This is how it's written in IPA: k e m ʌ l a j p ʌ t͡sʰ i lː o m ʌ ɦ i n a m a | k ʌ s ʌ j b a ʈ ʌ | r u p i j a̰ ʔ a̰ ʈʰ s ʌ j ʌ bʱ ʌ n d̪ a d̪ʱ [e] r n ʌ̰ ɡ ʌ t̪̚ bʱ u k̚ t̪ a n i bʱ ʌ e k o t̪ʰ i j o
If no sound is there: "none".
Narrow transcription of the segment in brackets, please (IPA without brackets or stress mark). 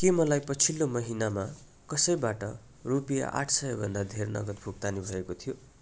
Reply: e